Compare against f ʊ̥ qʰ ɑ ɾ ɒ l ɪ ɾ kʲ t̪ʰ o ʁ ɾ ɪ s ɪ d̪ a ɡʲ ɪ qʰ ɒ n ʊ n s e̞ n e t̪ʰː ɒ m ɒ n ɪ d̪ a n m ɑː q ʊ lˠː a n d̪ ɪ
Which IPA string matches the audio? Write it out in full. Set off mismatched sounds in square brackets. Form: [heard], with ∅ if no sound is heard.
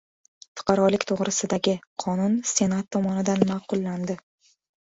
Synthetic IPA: f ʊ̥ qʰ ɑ ɾ ɒ l ɪ [∅] kʲ t̪ʰ o ʁ ɾ ɪ s ɪ d̪ a ɡʲ ɪ qʰ ɒ n ʊ n s e̞ n [a] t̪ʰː ɒ m ɒ n ɪ d̪ a n m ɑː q ʊ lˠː a n d̪ ɪ